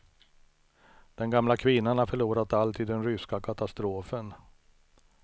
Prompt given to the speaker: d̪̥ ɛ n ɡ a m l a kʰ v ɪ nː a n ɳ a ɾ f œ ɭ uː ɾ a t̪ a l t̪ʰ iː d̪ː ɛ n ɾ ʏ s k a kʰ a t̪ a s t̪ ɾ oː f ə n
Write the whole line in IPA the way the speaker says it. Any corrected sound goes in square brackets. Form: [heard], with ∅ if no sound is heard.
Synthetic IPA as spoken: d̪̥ ɛ n ɡ a m l a kʰ v ɪ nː a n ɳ a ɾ f œ ɭ uː ɾ a t̪ a l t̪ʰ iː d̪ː ɛ n ɾ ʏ s k a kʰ a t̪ a s t̪ ɾ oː f ə n